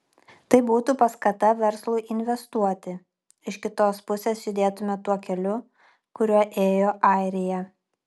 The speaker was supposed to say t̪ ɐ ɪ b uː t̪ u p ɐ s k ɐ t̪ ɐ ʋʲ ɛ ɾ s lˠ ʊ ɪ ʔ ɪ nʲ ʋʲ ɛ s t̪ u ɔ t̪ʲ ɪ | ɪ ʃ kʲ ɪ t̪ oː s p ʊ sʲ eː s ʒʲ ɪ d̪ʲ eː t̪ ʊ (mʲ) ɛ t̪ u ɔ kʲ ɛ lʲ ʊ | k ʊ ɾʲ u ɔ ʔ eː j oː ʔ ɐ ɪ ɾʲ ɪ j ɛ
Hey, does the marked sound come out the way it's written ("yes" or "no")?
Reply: yes